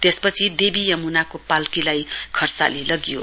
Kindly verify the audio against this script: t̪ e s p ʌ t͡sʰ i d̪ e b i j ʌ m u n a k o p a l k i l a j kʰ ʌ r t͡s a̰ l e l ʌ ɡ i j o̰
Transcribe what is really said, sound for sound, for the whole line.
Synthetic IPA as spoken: t̪ e s p ʌ t͡sʰ i d̪ e b i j ʌ m u n a k o p a l k i l a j kʰ ʌ r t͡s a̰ l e l ʌ ɡ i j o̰